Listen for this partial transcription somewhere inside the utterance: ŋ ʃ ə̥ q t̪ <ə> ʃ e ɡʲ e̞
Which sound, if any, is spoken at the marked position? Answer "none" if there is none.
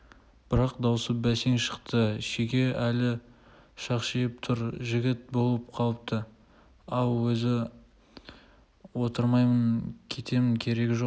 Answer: ə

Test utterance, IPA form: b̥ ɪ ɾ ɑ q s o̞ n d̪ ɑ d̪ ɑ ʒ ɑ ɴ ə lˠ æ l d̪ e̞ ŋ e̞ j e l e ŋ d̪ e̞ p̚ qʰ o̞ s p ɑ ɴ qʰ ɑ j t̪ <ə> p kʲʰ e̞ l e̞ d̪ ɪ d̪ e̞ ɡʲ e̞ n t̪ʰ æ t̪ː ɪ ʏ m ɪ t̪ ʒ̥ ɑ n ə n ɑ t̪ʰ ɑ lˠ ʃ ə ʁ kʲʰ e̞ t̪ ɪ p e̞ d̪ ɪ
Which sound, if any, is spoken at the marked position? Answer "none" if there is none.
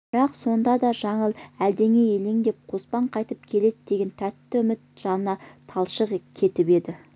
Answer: ə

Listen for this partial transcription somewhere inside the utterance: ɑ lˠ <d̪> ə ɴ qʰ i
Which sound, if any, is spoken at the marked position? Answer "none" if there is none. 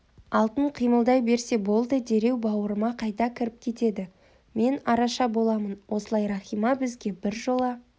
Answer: t̪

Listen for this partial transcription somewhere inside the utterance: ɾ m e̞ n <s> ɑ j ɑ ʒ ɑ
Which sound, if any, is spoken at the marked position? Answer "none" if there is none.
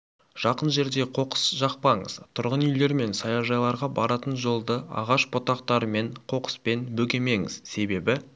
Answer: s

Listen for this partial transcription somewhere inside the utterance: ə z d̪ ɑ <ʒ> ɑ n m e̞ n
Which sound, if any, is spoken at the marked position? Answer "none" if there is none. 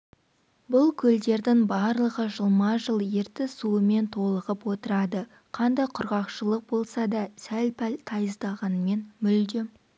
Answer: ʁ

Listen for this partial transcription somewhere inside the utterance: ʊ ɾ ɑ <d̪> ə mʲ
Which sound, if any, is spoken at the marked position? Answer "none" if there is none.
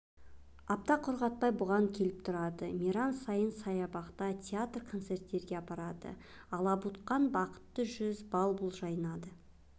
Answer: d̪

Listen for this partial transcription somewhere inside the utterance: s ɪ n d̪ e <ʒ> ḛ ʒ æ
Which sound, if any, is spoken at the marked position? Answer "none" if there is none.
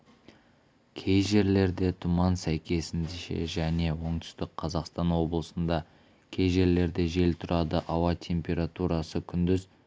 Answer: ʃ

